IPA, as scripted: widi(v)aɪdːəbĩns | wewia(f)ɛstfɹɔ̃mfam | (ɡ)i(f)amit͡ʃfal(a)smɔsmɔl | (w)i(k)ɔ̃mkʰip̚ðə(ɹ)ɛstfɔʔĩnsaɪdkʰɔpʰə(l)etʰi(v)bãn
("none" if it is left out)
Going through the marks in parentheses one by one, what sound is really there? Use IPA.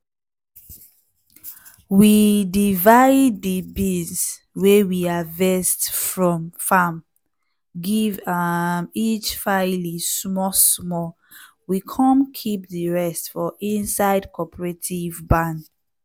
v, v, ɡ, v, i, w, kʰ, ɹ, ɹ, v

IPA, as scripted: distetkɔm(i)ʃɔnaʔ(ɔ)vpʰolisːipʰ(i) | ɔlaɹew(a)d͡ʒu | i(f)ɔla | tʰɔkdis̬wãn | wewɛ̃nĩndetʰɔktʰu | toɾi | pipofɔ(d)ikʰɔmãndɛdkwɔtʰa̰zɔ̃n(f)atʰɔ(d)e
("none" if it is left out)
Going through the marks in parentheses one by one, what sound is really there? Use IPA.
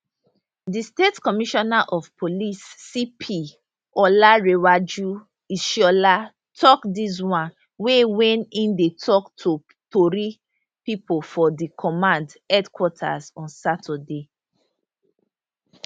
i, ɔ, i, a, ʃ, d, s, d

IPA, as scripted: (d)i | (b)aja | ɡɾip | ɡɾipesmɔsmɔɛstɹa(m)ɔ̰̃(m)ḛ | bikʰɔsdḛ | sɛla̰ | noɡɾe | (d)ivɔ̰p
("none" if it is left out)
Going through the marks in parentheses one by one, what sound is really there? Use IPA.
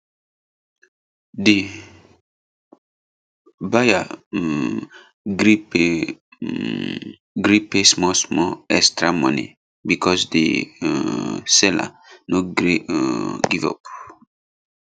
d, b, m, n, ɡ

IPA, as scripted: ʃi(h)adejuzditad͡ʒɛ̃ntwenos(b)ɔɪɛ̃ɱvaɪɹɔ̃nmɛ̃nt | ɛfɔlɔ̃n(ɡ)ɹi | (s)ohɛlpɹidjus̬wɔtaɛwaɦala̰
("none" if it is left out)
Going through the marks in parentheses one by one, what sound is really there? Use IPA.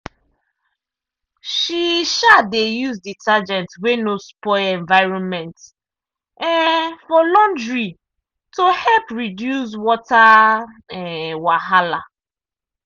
ʃ, p, d, t

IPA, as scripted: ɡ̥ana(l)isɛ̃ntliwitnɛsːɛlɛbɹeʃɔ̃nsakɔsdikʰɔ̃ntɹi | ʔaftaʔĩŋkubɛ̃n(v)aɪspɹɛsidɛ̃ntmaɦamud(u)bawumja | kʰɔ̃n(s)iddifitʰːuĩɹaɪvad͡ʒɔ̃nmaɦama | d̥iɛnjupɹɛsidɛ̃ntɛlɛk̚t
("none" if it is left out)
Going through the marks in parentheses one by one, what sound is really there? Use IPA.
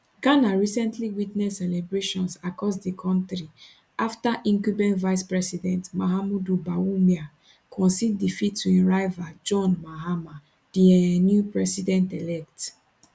ɹ, v, u, s

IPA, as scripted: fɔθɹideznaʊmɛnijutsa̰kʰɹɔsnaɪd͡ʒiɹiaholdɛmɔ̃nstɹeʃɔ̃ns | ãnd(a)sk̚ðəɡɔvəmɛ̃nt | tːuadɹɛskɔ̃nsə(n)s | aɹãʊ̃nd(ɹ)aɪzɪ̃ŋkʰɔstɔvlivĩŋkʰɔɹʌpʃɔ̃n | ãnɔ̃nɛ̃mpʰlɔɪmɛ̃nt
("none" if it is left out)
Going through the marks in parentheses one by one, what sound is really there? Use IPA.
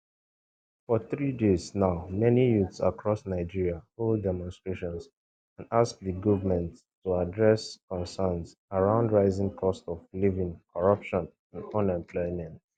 a, n, ɹ

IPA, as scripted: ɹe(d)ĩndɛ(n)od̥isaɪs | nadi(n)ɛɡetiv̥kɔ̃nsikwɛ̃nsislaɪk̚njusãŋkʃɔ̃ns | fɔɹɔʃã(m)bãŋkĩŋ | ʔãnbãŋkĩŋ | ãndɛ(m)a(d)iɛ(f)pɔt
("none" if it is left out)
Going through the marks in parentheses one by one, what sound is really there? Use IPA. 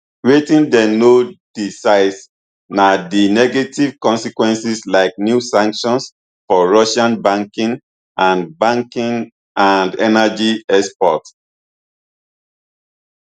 t, n, n, n, n, d͡ʒ, s

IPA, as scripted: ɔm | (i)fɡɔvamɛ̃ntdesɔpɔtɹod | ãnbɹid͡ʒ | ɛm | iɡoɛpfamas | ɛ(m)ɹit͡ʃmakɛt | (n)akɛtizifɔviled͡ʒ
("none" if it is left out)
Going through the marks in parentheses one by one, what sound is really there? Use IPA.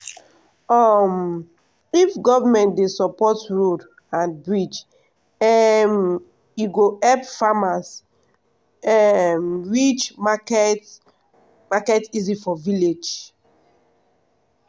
i, m, m

